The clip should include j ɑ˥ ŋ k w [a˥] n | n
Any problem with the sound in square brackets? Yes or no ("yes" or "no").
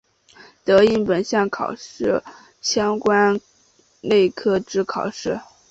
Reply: no